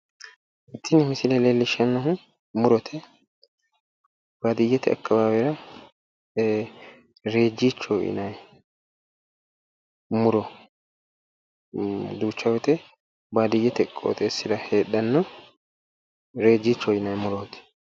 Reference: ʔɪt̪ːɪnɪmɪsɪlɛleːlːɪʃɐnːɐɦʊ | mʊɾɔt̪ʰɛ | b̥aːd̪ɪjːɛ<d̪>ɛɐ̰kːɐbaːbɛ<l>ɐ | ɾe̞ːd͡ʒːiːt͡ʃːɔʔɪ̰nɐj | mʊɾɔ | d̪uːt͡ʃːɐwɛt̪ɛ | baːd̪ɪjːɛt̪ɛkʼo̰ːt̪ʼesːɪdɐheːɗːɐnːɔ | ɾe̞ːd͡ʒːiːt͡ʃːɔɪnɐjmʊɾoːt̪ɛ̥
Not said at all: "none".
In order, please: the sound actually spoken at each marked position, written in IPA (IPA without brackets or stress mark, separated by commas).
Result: t̪, ɾ